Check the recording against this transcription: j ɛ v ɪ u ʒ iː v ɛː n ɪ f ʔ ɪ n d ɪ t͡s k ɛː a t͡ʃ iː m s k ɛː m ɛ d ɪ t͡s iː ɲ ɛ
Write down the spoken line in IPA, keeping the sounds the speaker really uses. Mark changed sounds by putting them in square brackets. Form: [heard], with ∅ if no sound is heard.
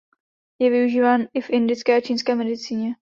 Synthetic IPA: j ɛ v ɪ u ʒ iː v [aː] n ɪ f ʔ ɪ n d ɪ t͡s k ɛː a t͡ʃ iː [n] s k ɛː m ɛ d ɪ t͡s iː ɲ ɛ